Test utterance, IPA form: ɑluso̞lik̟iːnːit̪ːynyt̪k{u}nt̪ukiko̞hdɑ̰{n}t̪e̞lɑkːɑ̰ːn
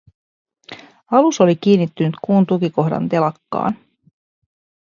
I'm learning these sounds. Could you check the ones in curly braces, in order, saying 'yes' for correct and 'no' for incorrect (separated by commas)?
no, yes